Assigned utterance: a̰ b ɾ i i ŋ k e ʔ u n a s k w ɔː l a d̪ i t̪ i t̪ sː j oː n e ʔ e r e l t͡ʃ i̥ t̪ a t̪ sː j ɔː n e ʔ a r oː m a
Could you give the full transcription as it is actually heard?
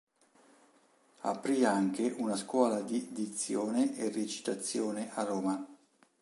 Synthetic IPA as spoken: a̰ p ɾ i a ŋ k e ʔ u n a s k w ɔː l a d̪ i d̪ i t̪ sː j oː n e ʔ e r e t͡ʃ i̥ t̪ a t̪ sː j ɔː n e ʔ a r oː m a